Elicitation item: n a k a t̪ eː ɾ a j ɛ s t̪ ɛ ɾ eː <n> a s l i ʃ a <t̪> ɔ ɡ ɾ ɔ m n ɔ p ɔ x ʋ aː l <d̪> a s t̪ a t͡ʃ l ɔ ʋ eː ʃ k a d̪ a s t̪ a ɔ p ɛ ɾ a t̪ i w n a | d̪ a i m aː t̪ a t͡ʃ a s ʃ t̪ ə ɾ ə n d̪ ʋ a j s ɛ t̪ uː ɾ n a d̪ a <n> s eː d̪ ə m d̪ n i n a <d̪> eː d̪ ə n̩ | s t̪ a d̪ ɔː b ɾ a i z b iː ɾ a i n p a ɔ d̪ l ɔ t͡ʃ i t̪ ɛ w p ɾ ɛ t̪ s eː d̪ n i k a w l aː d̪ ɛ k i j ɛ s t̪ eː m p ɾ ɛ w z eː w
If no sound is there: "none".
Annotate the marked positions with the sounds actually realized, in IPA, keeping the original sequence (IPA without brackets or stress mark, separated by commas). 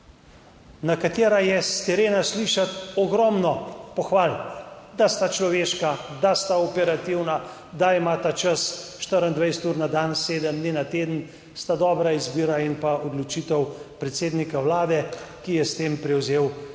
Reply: n, t̪, d̪, n, t̪